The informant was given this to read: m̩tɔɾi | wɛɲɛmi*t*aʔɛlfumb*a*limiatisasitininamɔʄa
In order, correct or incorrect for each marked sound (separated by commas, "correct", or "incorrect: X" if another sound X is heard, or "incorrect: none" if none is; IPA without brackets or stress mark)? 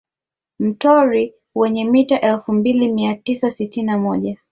correct, incorrect: i